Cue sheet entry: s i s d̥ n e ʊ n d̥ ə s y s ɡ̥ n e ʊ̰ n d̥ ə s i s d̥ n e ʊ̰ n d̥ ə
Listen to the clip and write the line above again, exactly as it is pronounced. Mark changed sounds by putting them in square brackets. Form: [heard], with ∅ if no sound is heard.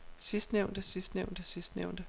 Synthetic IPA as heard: s i s d̥ n e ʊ n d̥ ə s [i] s [d̥] n e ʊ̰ n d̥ ə s i s d̥ n e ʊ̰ n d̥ ə